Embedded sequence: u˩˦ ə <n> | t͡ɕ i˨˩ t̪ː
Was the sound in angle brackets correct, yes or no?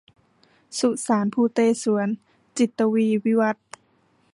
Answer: yes